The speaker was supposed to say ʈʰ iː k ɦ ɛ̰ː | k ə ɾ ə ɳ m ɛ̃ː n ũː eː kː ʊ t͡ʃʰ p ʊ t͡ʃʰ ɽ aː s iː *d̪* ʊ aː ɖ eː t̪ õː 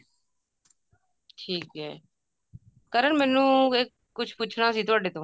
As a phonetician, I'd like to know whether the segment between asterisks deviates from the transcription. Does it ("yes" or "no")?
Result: yes